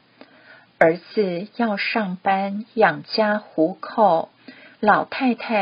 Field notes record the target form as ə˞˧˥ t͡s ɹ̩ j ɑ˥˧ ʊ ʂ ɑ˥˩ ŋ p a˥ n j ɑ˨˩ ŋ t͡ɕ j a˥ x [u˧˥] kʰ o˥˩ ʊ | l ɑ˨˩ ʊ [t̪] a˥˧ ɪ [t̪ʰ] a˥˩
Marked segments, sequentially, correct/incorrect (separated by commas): correct, incorrect, correct